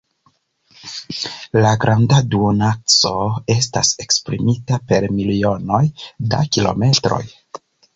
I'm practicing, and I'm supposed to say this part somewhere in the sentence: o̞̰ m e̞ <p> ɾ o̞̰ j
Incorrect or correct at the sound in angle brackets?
incorrect: t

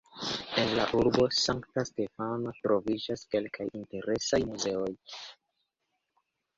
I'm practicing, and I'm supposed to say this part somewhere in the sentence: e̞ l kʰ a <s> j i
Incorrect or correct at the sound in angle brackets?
incorrect: none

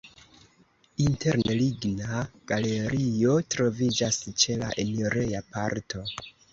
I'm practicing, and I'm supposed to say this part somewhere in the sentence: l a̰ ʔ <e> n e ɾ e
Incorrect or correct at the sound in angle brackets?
correct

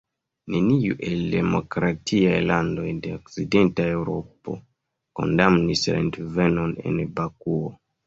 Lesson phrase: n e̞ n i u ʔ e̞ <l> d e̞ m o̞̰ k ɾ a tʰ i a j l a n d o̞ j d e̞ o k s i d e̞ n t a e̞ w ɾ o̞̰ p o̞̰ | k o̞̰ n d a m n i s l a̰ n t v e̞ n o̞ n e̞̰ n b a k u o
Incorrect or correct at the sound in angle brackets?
correct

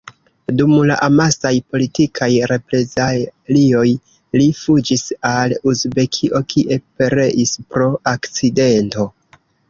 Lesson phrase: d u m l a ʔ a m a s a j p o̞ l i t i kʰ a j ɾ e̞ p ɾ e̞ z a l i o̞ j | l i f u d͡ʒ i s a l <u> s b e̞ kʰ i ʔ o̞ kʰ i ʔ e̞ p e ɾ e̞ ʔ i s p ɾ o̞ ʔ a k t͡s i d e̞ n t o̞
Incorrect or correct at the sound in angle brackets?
correct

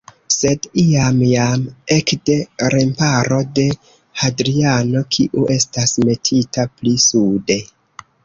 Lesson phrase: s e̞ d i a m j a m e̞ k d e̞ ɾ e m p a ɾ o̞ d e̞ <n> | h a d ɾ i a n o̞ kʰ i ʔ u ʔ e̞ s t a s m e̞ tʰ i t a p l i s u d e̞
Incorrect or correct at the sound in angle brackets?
incorrect: none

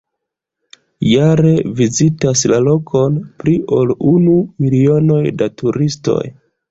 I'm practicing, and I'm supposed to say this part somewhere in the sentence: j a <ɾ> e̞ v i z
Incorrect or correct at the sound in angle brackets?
correct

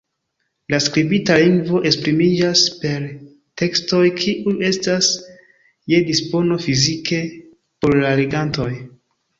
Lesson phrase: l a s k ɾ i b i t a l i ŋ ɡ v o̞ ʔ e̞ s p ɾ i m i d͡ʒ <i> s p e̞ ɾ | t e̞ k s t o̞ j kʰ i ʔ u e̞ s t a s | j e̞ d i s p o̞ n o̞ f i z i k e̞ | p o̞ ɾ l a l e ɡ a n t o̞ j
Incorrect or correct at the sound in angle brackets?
incorrect: a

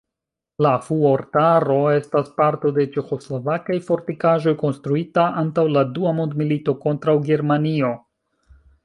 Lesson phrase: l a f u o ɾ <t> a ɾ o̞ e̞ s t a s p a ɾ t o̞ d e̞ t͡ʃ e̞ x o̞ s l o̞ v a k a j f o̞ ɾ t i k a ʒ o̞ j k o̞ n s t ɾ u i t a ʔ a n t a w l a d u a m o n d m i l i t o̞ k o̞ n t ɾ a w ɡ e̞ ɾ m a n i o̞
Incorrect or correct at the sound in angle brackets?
correct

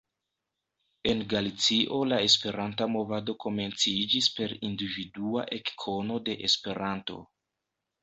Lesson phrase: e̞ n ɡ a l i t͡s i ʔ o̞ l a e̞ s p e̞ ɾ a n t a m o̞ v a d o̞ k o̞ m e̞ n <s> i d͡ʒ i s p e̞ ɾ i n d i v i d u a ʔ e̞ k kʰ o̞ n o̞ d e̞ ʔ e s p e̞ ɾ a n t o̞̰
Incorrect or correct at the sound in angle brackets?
incorrect: t͡s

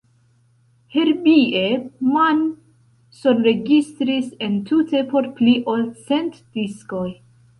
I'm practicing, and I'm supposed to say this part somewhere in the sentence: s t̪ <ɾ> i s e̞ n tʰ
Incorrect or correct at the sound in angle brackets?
correct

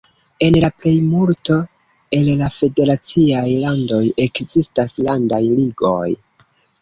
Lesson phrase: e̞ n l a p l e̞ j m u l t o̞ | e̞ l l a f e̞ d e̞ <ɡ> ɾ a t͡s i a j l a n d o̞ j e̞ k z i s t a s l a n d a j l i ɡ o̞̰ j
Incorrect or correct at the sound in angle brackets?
incorrect: none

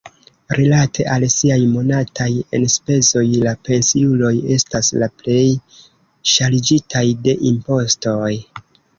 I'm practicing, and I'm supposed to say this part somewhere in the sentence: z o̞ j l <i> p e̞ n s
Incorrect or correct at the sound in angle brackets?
incorrect: a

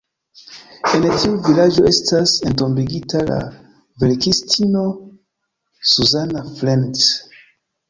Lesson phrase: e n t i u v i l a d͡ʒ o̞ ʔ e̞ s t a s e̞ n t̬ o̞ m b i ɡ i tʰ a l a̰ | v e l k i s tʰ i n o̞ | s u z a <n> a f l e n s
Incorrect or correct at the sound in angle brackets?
correct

